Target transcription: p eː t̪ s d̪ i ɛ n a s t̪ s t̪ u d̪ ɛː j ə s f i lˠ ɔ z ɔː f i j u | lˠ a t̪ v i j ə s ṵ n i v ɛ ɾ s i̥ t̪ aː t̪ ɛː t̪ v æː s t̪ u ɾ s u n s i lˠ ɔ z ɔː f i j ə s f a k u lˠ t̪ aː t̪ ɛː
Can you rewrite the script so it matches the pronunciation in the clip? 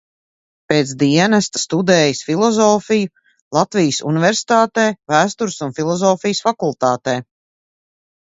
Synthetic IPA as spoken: p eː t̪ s d̪ i ɛ n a s t̪ s t̪ u d̪ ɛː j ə s f i lˠ ɔ z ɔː f i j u | lˠ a t̪ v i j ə s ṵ n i v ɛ ɾ s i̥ t̪ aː t̪ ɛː v æː s t̪ u ɾ s u n f i lˠ ɔ z ɔː f i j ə s f a k u lˠ t̪ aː t̪ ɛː